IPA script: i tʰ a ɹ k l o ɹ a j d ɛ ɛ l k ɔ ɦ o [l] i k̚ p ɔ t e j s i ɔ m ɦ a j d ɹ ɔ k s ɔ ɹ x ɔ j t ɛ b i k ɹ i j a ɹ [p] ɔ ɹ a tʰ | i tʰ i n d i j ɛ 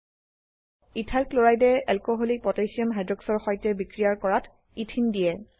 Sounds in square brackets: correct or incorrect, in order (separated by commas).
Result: correct, incorrect